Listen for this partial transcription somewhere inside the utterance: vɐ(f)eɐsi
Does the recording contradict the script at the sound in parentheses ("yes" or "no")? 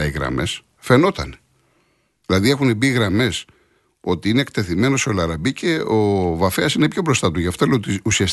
no